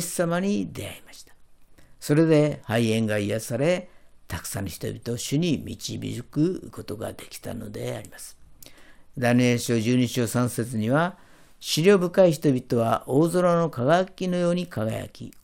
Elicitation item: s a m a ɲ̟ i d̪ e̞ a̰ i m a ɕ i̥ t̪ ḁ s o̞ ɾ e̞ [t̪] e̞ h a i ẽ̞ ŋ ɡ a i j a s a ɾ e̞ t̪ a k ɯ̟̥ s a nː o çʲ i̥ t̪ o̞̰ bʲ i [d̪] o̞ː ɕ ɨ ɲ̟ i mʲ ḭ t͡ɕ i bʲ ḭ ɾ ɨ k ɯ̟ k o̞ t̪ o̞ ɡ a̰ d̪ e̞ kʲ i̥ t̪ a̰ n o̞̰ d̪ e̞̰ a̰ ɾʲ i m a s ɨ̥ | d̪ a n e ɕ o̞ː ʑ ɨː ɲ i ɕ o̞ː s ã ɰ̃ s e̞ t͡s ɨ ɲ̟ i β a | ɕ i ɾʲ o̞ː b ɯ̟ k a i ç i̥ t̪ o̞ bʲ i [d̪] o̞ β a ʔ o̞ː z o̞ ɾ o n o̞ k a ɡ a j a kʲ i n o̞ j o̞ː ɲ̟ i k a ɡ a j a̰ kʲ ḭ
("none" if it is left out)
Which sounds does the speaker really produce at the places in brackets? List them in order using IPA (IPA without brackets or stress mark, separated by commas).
d̪, t̪, t̪